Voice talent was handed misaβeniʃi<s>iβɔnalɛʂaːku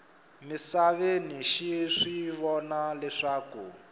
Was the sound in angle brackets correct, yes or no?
no